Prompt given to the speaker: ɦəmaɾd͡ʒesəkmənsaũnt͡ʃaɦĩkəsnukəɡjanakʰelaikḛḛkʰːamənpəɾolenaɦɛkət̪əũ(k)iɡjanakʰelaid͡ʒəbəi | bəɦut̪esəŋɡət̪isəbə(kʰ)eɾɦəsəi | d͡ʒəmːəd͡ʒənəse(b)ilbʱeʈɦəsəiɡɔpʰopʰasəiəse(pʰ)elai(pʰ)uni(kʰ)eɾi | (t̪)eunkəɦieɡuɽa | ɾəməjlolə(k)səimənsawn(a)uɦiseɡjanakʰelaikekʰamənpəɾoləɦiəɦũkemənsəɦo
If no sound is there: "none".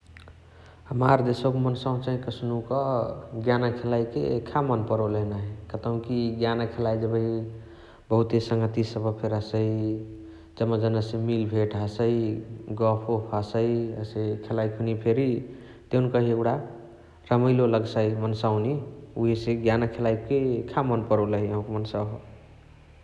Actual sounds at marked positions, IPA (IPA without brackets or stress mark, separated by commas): k, pʰ, m, kʰ, kʰ, pʰ, t̪, ɡ, i